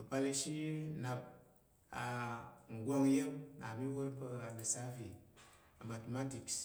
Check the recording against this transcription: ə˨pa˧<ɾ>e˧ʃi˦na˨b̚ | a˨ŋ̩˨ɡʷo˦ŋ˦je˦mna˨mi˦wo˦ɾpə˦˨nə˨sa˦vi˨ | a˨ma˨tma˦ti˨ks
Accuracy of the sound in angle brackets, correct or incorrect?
incorrect